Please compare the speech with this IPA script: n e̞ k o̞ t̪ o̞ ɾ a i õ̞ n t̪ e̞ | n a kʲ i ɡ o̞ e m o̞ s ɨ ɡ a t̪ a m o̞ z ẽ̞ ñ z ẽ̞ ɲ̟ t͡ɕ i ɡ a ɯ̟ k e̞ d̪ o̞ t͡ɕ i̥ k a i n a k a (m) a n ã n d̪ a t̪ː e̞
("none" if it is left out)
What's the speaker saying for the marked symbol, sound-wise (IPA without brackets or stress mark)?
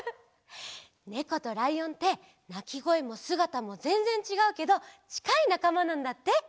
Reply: m